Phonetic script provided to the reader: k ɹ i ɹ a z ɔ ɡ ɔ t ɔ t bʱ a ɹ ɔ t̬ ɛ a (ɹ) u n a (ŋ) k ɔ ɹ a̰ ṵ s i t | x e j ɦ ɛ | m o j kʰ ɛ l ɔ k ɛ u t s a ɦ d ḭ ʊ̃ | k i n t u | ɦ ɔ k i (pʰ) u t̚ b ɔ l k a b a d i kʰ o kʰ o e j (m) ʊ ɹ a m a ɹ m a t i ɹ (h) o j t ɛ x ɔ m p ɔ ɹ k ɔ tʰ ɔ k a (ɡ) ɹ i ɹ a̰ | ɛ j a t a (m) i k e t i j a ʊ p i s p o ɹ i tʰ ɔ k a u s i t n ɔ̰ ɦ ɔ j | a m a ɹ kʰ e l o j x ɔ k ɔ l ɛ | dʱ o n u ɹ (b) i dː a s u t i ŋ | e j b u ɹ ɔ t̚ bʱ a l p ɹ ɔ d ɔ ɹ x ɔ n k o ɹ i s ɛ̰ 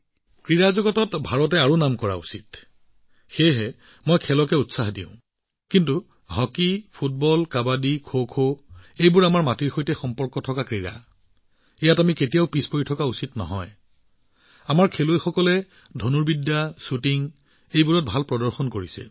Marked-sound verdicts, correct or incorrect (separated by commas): correct, incorrect, correct, incorrect, incorrect, incorrect, correct, correct